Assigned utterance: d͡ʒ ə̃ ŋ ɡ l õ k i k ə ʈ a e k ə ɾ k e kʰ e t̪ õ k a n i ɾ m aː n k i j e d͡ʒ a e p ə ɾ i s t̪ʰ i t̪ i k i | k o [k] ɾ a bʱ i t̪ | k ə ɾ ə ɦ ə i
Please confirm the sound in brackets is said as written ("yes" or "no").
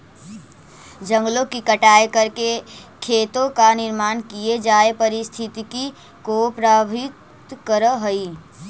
no